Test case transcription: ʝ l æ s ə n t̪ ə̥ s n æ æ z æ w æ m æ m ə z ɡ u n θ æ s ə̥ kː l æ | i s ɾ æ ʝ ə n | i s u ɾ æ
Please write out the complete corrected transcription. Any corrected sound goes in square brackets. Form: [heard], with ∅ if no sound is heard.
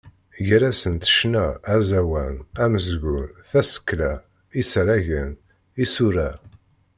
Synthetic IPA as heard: ʝ [ɾ] æ s ə n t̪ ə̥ [ʃ] n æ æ z æ w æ [n] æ m ə z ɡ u n θ æ s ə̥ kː l æ | i s ɾ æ ʝ ə n | i s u ɾ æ